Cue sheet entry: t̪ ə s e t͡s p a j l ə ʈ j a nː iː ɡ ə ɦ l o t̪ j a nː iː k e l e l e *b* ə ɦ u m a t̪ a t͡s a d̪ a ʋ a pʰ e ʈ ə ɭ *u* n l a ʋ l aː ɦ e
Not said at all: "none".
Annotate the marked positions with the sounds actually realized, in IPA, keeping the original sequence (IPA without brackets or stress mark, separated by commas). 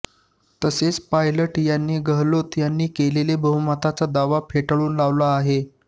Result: b, uː